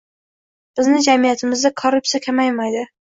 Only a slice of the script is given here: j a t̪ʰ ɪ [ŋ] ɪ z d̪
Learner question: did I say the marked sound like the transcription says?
no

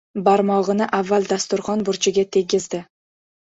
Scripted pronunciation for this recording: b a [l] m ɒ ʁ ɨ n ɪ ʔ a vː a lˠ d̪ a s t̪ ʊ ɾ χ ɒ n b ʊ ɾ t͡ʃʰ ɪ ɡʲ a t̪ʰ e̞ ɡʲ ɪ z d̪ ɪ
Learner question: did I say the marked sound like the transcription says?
no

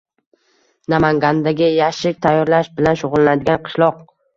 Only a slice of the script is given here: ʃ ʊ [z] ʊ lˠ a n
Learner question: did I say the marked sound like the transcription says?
no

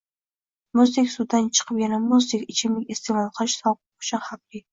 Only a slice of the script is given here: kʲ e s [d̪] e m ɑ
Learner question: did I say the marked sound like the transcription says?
no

